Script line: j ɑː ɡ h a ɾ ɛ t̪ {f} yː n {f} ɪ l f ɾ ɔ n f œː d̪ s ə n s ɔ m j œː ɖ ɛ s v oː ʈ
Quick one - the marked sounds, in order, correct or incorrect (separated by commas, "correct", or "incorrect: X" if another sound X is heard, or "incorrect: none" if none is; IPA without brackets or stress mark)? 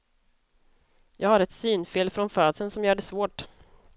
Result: incorrect: s, correct